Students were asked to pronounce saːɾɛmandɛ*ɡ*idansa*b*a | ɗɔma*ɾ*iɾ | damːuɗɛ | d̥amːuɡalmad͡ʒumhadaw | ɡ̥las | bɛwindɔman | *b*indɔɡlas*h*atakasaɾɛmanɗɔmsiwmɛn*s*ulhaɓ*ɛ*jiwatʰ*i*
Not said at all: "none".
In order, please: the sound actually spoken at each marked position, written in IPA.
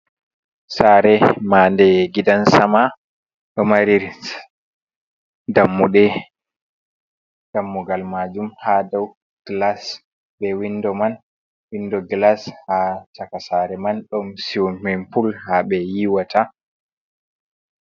ɡ, m, ɾ, w, h, f, ɛ, a

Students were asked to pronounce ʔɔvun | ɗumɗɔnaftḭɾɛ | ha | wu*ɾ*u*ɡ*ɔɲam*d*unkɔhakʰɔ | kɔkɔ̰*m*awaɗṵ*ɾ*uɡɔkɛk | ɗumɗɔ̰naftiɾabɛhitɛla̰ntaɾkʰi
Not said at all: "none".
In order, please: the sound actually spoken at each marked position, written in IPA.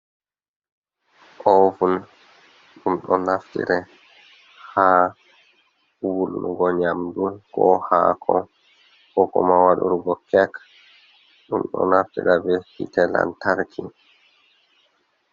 l, ɡ, d, m, ɾ

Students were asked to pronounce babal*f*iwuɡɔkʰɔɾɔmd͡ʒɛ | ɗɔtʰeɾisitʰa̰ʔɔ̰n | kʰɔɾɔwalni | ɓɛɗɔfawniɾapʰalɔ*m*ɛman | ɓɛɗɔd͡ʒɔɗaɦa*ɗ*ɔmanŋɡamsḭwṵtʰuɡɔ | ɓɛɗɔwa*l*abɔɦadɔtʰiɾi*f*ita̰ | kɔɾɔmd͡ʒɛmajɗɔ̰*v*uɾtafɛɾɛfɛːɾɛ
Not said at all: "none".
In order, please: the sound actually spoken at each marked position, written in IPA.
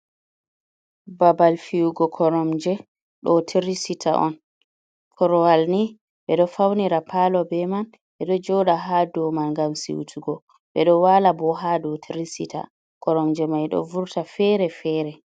f, b, d, l, s, v

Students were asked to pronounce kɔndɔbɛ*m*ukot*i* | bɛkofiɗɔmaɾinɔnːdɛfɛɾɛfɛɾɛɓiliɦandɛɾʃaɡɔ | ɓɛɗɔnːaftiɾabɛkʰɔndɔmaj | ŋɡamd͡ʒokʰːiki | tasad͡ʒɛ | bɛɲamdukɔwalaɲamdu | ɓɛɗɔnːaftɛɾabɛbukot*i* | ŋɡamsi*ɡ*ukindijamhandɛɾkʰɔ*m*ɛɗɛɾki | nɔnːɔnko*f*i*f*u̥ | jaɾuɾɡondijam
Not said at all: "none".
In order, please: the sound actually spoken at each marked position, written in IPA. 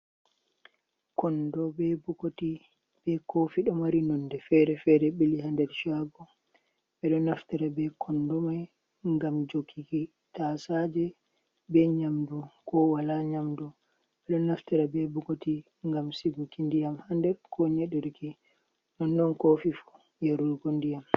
b, i, i, ɡ, ɲ, f, f

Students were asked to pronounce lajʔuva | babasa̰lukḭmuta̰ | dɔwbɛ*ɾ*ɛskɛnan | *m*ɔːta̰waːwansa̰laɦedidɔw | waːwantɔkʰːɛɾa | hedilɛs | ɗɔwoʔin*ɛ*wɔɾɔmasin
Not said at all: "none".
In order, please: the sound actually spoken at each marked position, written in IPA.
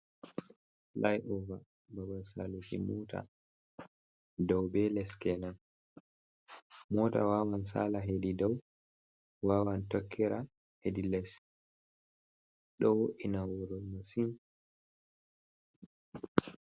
l, m, a

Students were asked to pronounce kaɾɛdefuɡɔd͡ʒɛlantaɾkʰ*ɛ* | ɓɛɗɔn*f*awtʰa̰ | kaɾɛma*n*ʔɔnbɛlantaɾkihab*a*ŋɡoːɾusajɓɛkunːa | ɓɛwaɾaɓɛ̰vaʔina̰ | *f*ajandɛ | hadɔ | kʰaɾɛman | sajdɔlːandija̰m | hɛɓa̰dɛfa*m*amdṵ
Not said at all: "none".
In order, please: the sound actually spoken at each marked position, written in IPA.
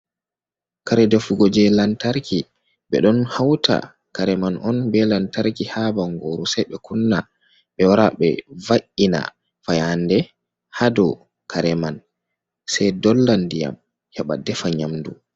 i, h, n, a, f, ɲ

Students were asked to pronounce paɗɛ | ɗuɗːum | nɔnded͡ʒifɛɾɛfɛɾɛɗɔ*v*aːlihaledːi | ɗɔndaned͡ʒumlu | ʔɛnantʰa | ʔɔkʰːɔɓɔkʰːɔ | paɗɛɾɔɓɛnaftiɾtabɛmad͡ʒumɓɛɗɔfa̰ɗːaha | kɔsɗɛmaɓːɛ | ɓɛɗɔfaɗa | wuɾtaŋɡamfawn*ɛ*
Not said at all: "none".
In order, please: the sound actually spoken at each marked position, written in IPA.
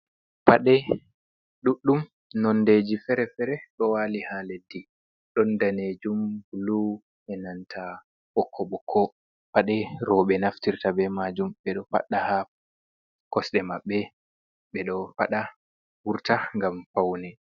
w, ɛ

